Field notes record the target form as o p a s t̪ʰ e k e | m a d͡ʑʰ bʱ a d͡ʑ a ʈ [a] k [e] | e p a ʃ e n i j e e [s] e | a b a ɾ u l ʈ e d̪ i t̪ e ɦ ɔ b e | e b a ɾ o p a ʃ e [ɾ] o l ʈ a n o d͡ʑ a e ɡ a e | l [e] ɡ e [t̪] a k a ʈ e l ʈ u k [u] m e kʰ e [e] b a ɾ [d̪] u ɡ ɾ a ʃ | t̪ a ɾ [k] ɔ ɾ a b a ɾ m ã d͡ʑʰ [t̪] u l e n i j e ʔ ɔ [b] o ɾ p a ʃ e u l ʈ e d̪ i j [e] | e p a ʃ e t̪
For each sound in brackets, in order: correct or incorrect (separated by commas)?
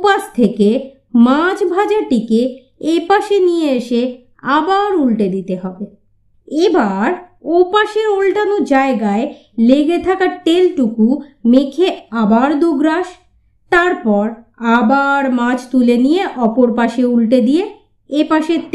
incorrect, correct, incorrect, correct, correct, incorrect, correct, incorrect, correct, incorrect, correct, incorrect, correct